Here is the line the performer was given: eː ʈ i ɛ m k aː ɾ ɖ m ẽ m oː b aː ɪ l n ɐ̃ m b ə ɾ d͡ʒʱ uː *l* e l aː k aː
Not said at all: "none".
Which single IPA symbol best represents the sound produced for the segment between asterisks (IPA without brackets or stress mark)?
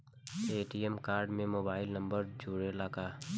ɽ